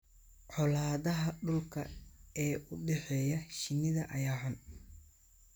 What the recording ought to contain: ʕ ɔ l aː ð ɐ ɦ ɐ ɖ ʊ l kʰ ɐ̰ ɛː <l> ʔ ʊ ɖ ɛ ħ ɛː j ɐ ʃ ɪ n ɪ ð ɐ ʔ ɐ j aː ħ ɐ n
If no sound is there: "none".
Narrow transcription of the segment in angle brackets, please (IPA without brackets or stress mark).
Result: none